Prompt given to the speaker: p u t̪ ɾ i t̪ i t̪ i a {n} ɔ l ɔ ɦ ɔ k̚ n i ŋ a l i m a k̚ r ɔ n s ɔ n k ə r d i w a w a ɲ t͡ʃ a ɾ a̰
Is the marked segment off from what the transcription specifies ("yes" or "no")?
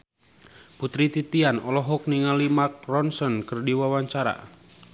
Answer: no